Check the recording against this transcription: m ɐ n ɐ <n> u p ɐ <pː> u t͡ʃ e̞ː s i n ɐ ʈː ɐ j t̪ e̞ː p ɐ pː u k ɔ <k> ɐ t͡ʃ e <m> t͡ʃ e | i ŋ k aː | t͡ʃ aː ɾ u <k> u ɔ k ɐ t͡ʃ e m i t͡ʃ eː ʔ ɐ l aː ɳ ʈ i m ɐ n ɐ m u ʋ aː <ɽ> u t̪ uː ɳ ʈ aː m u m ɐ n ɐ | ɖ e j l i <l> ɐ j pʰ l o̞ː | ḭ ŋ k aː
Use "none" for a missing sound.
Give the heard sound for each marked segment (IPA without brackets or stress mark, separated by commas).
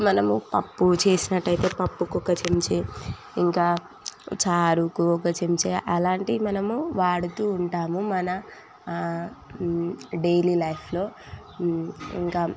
m, pː, k, m, k, ɽ, l